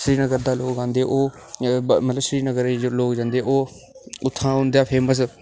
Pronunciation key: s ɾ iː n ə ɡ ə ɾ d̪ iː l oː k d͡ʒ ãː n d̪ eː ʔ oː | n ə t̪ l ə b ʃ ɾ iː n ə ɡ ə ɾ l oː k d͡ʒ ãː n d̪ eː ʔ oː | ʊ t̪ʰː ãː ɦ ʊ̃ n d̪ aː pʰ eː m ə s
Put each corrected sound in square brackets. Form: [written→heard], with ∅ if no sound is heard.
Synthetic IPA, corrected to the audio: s ɾ iː n ə ɡ ə ɾ d̪ [iː→aː] l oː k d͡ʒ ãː n d̪ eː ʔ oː | [n→m] ə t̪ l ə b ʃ ɾ iː n ə ɡ ə ɾ l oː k d͡ʒ ãː n d̪ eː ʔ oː | ʊ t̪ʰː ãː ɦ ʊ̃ n d̪ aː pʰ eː m ə s

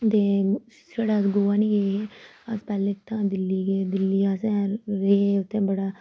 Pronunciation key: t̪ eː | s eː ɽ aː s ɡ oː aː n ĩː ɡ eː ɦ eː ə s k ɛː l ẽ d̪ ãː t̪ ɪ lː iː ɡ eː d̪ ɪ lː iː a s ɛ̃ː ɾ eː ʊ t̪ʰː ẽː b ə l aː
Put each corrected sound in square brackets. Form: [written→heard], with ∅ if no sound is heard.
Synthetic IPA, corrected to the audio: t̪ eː | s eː ɽ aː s ɡ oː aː n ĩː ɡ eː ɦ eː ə s [k→p] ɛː l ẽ [d̪→t̪] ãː [t̪→d̪] ɪ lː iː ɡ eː d̪ ɪ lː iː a s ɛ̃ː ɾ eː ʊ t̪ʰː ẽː b ə [l→ɽ] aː

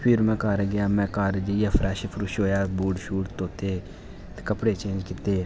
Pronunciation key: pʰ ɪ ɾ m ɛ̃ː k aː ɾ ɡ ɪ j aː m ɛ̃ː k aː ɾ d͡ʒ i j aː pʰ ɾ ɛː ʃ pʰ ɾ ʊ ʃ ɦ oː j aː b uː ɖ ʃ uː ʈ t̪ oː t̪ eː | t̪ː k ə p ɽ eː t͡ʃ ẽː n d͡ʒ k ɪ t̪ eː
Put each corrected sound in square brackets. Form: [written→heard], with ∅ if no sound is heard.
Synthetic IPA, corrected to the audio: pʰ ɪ ɾ m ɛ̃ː k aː ɾ ɡ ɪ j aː m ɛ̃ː k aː ɾ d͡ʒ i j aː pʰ ɾ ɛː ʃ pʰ ɾ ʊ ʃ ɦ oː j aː b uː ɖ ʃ uː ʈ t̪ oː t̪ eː | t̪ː k ə p ɽ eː t͡ʃ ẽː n d͡ʒ k ɪ t̪ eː

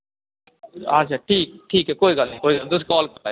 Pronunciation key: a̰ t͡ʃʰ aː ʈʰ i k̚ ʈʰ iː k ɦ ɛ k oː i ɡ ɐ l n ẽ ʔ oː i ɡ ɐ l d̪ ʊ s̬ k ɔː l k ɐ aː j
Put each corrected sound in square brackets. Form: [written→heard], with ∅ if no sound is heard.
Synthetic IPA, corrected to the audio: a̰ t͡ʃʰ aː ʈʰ [i→iː] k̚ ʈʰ iː k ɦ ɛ k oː i ɡ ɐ l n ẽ [ʔ→k] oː i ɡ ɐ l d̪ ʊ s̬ k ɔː l k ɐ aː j

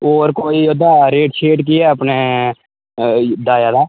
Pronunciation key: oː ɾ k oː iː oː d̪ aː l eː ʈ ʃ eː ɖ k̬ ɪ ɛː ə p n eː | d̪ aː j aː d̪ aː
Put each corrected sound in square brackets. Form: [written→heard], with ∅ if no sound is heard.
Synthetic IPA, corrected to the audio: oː ɾ k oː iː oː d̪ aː [l→ɾ] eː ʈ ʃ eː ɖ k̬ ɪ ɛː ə p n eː | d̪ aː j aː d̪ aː

